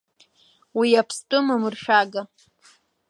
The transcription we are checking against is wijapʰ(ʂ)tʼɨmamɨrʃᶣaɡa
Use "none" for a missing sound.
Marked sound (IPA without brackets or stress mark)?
s